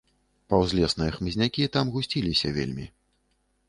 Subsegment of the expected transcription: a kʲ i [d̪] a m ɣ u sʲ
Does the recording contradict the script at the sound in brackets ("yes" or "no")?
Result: yes